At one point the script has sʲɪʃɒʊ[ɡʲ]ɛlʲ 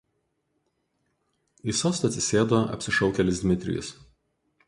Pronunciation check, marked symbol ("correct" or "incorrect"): incorrect